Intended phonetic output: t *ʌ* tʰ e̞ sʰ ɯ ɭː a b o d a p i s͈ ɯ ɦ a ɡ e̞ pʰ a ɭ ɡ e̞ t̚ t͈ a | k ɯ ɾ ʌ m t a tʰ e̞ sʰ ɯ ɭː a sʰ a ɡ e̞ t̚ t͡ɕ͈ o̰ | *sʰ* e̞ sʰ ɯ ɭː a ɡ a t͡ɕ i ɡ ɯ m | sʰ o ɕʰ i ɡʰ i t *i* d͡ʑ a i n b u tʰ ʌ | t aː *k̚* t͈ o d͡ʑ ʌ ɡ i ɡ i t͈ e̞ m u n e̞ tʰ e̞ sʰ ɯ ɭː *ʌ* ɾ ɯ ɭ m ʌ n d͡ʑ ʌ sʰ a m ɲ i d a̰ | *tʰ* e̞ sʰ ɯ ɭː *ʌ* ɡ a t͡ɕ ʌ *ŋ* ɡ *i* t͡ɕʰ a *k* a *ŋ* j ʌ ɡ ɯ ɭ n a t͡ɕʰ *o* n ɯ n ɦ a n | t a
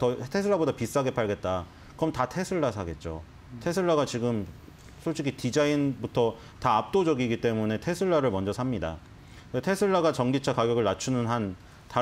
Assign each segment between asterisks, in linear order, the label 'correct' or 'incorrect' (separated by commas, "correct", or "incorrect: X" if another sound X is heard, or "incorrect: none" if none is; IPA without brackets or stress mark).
correct, incorrect: tʰ, correct, incorrect: p̚, incorrect: a, correct, incorrect: a, correct, correct, correct, incorrect: ɡ, incorrect: u